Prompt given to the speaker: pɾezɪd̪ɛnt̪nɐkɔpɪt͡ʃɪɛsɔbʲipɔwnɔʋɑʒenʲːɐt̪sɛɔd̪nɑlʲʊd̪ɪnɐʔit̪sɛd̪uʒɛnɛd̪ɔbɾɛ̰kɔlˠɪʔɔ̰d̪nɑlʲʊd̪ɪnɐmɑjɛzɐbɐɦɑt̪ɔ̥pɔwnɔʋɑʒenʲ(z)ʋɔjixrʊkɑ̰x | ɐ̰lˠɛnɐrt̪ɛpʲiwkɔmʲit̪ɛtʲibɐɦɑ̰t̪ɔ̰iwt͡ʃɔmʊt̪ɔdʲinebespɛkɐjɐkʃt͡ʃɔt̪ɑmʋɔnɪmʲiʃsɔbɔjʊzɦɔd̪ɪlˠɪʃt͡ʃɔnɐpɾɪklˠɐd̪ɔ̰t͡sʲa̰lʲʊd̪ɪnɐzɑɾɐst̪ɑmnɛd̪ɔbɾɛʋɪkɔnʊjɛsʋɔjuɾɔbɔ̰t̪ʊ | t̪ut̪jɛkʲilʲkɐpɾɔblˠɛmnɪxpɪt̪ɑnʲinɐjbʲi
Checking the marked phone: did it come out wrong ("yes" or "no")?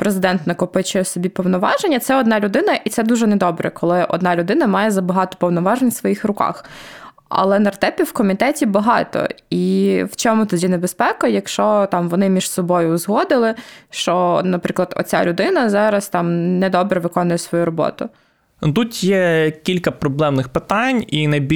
yes